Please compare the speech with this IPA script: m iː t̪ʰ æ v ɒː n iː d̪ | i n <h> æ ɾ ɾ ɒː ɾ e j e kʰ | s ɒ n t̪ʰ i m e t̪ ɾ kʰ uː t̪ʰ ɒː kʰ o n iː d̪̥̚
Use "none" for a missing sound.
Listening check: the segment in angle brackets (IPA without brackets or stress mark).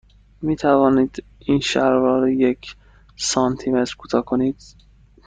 ʃ